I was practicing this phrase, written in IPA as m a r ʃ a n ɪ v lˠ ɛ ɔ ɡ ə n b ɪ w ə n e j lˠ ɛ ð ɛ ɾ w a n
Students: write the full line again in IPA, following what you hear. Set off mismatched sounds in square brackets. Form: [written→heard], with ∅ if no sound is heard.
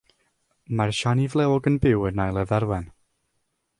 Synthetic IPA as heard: m a r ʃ a n [ɪ→i] v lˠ ɛ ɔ ɡ ə n b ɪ w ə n [e→a] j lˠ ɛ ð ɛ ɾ w [a→ɛ] n